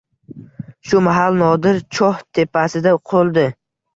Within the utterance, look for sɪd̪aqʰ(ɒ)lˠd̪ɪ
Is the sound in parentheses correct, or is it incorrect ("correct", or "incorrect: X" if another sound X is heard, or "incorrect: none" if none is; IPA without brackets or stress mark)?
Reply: incorrect: o